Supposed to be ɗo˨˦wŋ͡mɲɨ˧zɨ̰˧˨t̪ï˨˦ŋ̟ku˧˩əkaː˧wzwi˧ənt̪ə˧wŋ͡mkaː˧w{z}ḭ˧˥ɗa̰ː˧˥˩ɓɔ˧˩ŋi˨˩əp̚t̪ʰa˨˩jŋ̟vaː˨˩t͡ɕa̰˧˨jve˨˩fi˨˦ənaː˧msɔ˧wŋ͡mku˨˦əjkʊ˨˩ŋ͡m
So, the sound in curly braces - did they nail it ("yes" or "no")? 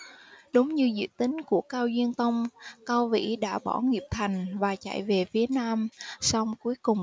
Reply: no